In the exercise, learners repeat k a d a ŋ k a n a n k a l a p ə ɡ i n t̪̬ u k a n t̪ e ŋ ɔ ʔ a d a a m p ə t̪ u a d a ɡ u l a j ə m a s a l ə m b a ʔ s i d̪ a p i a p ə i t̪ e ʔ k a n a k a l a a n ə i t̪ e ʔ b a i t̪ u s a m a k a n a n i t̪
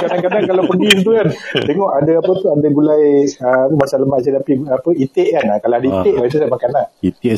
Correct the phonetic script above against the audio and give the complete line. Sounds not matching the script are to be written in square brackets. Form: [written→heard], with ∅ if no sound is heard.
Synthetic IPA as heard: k a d a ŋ k a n a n k a l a p ə ɡ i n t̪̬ u k a n t̪ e ŋ ɔ ʔ a d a a [m→∅] p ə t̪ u a d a ɡ u l a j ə m a s a l ə m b a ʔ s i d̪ a p i a p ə i t̪ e ʔ k a n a k a l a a [n→d] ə i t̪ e ʔ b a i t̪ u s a m a k a n a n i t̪